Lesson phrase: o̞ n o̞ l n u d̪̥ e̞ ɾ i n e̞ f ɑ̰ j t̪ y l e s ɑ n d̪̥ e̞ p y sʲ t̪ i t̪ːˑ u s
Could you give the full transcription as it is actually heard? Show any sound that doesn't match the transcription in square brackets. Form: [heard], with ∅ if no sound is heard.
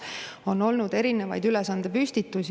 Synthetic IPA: o̞ n o̞ l n u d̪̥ e̞ ɾ i n e̞ [v] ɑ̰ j [d̪] y l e s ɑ n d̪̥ e̞ p y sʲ t̪ i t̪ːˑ u s

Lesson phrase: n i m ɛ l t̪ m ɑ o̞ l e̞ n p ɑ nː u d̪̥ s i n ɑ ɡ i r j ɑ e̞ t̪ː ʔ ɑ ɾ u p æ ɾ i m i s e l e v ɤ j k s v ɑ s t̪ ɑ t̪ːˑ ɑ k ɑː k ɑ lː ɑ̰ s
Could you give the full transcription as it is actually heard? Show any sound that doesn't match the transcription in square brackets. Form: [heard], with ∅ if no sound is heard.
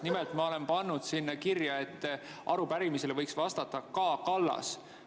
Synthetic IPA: n i m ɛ l t̪ m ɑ o̞ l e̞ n p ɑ nː u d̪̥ s i [nː] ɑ [k] i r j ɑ e̞ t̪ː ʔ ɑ ɾ u p æ ɾ i m i s e l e v ɤ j k s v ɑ s t̪ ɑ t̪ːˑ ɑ k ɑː k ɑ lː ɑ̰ s

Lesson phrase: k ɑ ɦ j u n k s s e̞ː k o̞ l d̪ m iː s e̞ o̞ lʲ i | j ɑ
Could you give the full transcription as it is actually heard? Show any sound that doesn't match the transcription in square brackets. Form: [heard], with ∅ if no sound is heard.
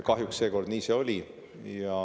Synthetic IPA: k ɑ ɦ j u [∅] k s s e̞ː k o̞ [r] d̪ [n] iː s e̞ o̞ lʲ i | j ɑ

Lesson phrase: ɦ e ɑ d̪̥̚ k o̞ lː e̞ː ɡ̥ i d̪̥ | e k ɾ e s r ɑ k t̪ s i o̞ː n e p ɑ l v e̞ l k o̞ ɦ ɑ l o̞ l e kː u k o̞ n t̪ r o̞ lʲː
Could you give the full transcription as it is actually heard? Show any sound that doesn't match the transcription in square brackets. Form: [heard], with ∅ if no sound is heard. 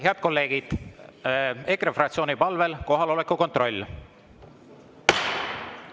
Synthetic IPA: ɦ e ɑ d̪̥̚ k o̞ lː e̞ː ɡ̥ i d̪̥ | e k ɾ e [f] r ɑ k t̪ s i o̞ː n [i] p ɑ l v e̞ l k o̞ ɦ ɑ l o̞ l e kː u k o̞ n t̪ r o̞ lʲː

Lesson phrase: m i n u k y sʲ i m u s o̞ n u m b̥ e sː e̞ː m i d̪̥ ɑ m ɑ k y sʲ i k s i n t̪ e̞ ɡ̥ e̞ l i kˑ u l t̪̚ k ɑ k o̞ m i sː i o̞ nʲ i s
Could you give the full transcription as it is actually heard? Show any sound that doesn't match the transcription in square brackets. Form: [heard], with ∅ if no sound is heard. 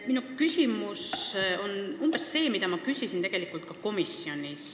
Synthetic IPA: m i n u k y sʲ i m u s o̞ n u m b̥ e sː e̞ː m i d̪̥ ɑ m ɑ k y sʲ i [∅] s i n t̪ e̞ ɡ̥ e̞ l i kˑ u l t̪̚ k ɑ k o̞ m i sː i o̞ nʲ i s

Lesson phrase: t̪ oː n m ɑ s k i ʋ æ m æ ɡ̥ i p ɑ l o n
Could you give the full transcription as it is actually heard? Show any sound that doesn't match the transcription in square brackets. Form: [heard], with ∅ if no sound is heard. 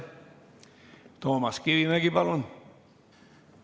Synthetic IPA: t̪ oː [∅] m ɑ s k i ʋ [i] m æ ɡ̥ i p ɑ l o n

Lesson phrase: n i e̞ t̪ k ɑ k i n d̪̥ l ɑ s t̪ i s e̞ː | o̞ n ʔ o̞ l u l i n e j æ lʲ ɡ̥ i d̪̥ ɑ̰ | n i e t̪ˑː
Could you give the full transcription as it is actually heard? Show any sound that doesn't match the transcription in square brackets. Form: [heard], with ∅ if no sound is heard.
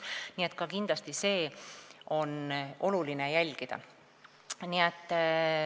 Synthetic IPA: n i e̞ t̪ k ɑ k i n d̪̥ l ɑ s t̪ i s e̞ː | o̞ n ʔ o̞ l u l i n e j æ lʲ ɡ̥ i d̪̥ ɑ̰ | n i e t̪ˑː

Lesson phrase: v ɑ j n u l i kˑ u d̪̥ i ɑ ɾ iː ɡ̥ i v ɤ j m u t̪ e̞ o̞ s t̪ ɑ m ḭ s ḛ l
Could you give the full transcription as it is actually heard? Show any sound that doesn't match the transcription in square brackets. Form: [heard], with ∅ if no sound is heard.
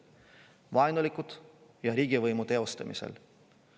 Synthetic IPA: v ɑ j n u l i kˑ u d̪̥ [j] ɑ ɾ iː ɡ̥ i v ɤ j m u t̪ e̞ o̞ s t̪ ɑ m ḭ s ḛ l

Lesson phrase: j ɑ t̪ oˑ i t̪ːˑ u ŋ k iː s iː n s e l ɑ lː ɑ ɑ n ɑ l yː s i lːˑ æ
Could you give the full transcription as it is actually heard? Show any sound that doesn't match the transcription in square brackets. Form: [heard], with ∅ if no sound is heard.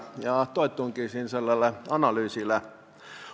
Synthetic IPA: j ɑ t̪ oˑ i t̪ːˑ u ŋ k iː s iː n s e [lː] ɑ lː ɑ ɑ n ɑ l yː s i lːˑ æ

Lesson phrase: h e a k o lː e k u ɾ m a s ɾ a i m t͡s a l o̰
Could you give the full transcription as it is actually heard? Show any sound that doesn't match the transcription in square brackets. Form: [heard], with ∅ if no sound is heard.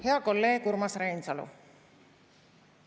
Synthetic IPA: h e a k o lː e k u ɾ m a s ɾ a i [n] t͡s a l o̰

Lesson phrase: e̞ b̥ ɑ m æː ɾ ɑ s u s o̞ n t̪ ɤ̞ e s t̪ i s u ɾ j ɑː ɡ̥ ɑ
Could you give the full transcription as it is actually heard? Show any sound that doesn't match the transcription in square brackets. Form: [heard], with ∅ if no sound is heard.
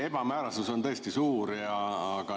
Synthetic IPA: e̞ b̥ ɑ m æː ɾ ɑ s u s o̞ n t̪ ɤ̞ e s t̪ i s [uː] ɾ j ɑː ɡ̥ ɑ

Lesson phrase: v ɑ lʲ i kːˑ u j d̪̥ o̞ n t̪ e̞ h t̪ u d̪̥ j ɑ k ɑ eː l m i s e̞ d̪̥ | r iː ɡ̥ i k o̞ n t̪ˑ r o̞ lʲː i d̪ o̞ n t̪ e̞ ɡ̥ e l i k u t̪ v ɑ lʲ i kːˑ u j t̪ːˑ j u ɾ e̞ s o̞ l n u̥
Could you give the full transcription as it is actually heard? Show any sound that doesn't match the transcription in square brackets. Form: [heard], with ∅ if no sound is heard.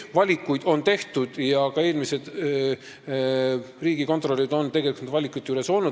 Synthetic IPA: v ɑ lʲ i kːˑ u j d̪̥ o̞ n t̪ e̞ h t̪ u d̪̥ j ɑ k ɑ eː l m i s e̞ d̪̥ | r iː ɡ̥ i k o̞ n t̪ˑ r o̞ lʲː i d̪ o̞ n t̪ e̞ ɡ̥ e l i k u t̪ v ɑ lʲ i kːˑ u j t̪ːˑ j u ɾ e̞ s o̞ l n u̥

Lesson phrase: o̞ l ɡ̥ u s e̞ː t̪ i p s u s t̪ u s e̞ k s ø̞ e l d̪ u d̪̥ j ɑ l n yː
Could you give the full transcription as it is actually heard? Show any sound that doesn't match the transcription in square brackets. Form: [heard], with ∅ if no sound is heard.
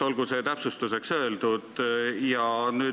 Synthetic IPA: o̞ l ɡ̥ u s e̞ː t̪ [æ] p s u s t̪ u s e̞ k s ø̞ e l d̪ u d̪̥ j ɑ [∅] n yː

